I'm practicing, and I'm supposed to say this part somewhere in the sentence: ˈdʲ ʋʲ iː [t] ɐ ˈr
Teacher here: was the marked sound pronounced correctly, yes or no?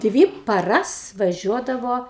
no